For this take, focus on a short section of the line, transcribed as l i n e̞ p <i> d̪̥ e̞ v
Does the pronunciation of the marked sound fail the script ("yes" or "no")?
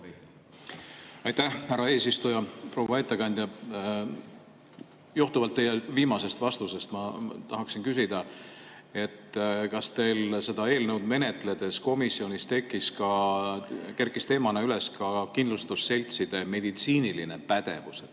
yes